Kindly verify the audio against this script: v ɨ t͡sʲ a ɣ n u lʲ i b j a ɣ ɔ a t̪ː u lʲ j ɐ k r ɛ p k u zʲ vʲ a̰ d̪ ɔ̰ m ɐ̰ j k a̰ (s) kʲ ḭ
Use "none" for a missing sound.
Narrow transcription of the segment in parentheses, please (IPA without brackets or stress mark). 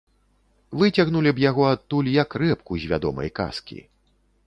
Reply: s